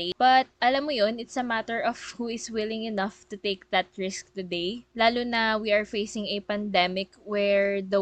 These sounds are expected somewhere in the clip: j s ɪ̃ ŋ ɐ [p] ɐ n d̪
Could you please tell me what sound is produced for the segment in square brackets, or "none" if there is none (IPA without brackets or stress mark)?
p